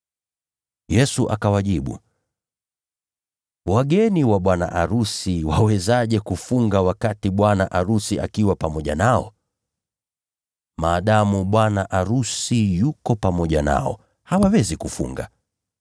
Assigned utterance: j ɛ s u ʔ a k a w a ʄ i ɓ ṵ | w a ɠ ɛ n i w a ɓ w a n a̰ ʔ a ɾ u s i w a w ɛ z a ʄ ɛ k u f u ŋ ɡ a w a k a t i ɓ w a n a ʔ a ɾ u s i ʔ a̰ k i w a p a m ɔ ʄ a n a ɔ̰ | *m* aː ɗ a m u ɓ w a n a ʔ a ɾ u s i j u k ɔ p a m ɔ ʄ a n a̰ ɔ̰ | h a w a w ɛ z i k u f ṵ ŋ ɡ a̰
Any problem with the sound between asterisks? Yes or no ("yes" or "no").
no